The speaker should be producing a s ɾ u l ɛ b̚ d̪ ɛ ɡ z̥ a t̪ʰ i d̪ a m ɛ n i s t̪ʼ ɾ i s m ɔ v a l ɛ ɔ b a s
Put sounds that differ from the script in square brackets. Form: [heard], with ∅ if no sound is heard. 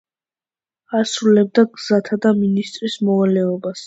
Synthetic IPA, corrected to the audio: a s ɾ u l ɛ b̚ d̪ [a] ɡ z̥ a t̪ʰ [a] d̪ a m [i] n i s t̪ʼ ɾ i s m ɔ v a l ɛ ɔ b a s